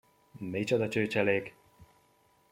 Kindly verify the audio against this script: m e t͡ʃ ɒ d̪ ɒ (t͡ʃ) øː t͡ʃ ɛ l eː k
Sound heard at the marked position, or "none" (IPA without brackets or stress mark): t͡ʃ